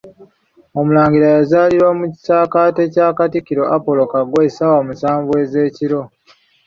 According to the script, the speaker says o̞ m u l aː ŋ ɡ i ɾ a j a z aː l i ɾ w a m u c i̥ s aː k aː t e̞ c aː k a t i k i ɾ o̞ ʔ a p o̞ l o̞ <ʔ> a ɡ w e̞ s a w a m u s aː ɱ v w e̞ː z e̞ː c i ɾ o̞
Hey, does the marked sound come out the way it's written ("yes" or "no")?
no